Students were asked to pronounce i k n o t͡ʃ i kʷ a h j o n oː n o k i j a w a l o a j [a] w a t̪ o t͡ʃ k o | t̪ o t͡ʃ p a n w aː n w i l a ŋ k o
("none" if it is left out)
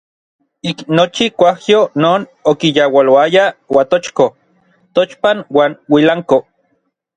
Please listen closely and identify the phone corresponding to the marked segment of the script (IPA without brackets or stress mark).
a